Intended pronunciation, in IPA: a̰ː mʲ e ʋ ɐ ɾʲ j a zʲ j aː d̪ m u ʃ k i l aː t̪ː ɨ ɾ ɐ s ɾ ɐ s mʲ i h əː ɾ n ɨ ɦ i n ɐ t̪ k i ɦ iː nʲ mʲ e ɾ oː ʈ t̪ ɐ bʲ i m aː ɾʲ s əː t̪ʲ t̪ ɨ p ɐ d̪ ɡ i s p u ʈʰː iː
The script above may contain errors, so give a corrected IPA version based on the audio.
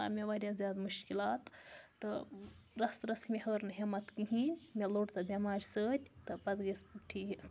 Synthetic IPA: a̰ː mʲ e ʋ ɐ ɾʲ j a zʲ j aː d̪ m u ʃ k i l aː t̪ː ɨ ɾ ɐ s ɾ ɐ s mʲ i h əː ɾ n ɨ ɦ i m ɐ t̪ k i ɦ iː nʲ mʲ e l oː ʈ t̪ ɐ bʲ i m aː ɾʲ s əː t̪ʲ t̪ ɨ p ɐ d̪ ɡ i s p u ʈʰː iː